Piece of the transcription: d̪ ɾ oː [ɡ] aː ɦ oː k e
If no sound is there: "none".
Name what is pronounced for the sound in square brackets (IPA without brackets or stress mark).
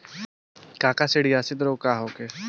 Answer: k